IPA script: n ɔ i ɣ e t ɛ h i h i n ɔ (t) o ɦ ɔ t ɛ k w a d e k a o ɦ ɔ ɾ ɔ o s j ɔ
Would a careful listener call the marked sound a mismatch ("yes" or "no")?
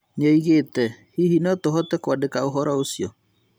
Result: no